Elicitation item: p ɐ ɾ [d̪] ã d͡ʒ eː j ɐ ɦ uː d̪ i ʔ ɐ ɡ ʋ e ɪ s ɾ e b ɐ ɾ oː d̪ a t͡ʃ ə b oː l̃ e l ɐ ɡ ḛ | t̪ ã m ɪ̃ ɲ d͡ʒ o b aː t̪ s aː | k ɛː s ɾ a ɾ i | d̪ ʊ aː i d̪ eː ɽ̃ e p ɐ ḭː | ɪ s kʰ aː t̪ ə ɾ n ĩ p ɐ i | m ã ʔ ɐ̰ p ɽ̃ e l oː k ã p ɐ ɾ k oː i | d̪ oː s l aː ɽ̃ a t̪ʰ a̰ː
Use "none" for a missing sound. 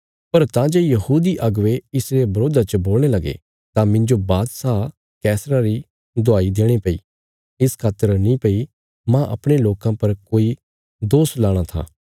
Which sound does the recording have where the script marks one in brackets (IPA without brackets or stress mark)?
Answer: t̪